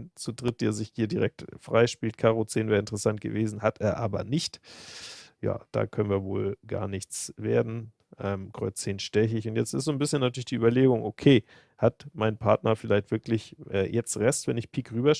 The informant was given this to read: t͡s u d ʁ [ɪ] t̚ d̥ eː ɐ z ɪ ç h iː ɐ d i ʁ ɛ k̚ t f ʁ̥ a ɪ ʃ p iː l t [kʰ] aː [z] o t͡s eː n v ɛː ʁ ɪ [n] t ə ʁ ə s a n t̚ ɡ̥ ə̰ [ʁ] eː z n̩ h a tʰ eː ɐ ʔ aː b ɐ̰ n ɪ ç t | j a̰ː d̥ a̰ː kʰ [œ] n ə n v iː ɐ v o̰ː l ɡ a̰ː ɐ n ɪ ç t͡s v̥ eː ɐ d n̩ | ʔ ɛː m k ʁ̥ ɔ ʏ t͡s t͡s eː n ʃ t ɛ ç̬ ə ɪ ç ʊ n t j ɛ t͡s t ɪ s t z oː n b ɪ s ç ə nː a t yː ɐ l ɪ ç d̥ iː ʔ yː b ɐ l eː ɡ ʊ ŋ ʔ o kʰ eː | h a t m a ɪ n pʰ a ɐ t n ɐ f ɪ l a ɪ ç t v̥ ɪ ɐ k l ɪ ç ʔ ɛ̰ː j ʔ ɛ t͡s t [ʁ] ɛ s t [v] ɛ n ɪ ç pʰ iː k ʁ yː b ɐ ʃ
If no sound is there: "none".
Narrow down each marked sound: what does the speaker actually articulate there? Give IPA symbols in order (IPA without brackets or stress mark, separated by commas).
ɪ, kʰ, ʁ, n, v, œ, ʁ, v